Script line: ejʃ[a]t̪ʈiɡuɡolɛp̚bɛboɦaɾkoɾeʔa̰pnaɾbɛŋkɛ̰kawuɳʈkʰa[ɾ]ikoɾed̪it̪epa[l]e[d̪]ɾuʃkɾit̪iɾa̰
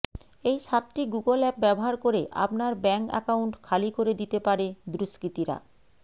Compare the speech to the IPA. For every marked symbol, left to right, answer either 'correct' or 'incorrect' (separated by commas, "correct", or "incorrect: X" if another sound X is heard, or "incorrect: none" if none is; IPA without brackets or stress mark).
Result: correct, incorrect: l, incorrect: ɾ, correct